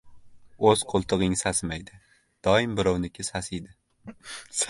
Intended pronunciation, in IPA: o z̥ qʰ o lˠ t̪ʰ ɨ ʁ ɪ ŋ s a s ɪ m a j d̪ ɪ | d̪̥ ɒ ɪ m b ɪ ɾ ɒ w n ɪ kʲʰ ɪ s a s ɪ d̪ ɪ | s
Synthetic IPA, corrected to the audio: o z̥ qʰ o lˠ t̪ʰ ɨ ʁ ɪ ŋ s a s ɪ m a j d̪ ɪ | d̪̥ ɒ ɪ m b ɪ ɾ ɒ w n ɪ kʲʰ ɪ s a s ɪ d̪ ɪ | s